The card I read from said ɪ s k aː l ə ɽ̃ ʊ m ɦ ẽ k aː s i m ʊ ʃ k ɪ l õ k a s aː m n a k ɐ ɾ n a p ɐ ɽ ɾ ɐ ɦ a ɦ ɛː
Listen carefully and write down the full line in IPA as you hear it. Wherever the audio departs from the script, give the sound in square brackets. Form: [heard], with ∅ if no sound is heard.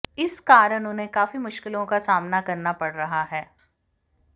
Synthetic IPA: ɪ s k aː [ɾ] ə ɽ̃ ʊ [n] ɦ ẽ k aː [f] i m ʊ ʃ k ɪ l õ k a s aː m n a k ɐ ɾ n a p ɐ ɽ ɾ ɐ ɦ a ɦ ɛː